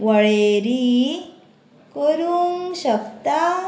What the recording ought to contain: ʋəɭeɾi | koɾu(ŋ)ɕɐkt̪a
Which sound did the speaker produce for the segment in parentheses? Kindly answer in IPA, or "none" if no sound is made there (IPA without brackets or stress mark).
ŋ